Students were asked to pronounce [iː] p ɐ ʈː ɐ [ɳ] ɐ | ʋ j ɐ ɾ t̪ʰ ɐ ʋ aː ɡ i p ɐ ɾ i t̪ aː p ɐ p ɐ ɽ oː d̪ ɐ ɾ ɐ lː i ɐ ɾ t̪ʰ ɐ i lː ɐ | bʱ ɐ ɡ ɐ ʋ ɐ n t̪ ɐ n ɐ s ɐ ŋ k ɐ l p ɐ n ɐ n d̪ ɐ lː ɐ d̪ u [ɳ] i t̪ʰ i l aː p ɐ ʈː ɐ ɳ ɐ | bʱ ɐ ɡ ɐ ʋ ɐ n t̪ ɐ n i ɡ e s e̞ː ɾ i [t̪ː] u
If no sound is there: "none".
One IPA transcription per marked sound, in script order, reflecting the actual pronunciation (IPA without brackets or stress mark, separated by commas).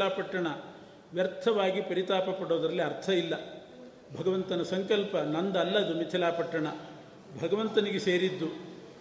aː, ɳ, m, d̪ː